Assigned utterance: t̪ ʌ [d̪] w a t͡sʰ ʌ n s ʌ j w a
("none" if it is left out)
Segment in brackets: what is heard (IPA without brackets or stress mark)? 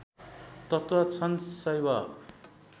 t̪